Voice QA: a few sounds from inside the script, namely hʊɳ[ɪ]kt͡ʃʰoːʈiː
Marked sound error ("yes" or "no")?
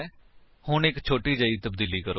no